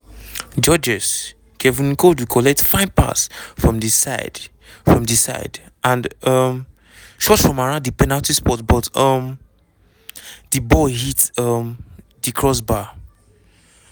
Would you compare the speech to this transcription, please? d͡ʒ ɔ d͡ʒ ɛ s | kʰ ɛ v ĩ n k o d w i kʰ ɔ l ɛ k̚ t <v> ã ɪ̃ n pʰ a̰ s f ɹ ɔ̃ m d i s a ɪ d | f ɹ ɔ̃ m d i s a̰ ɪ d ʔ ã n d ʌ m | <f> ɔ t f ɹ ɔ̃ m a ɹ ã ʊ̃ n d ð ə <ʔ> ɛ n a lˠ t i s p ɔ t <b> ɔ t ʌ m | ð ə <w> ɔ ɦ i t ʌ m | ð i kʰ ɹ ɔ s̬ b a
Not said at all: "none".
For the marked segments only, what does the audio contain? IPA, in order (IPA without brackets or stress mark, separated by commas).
f, ʃ, p, b, b